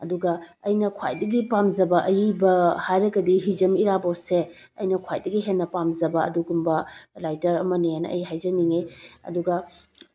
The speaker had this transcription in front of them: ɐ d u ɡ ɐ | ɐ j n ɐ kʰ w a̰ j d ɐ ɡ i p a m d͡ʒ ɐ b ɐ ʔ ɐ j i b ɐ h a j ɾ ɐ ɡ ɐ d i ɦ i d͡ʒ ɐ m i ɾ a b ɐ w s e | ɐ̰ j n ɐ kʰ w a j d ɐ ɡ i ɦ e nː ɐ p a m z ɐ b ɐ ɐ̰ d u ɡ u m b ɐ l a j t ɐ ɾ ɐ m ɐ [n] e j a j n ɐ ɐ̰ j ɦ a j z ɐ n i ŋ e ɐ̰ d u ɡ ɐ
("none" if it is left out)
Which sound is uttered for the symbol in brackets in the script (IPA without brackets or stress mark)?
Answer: n